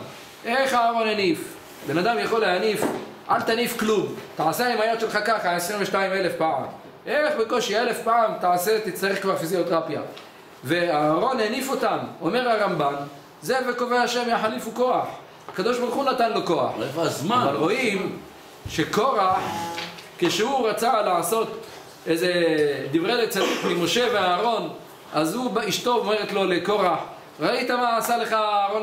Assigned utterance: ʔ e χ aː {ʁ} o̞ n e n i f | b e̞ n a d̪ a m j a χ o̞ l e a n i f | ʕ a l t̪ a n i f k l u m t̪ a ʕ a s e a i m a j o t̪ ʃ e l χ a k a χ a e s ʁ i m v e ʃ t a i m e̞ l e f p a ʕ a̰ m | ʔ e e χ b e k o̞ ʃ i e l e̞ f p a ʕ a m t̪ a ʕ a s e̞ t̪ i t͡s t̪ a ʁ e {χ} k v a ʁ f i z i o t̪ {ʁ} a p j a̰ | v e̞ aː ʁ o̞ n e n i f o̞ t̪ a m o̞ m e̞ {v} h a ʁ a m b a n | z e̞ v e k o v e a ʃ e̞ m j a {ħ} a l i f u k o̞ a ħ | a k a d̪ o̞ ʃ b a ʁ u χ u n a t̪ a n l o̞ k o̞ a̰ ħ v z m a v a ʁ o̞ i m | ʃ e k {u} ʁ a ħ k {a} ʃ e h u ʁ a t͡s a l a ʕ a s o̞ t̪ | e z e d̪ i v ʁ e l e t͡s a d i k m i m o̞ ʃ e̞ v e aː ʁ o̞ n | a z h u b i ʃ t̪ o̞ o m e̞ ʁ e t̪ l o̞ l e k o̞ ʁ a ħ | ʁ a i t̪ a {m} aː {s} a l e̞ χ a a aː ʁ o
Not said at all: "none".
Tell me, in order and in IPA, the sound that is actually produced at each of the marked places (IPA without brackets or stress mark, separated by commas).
ʁ, χ, ʁ, ʁ, ħ, o, e, m, s